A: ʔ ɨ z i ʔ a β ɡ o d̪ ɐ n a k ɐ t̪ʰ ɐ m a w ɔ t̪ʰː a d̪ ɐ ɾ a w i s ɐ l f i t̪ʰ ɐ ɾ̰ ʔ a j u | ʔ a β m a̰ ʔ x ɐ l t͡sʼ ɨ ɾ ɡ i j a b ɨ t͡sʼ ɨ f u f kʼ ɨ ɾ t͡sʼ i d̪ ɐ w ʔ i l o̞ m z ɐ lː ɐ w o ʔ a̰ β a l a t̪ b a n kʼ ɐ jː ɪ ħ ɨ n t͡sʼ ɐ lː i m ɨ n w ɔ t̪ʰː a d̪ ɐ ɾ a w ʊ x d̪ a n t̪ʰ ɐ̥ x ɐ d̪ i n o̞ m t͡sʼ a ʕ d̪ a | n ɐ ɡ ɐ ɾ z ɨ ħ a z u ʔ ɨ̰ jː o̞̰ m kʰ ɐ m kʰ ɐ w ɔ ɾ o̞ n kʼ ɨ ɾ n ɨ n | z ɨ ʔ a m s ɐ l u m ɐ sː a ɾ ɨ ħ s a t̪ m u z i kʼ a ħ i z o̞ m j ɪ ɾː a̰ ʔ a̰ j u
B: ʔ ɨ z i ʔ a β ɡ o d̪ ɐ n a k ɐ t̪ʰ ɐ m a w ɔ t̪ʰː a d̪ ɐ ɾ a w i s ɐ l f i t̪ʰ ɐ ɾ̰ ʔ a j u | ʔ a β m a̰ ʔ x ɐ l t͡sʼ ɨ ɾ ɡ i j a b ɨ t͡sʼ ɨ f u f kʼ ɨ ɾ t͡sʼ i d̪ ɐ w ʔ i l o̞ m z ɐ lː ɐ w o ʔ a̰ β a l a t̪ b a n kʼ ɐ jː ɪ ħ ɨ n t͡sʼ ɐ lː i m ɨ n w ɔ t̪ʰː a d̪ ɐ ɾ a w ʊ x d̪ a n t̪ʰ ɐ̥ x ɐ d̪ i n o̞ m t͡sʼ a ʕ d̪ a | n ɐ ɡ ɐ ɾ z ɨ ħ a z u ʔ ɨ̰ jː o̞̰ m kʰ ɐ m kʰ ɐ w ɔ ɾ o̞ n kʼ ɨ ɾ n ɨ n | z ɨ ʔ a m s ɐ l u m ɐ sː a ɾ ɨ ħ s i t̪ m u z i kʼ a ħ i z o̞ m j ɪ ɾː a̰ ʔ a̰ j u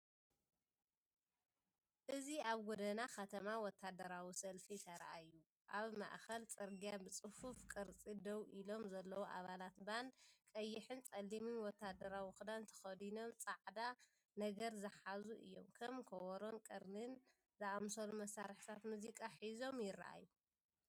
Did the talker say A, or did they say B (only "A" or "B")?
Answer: A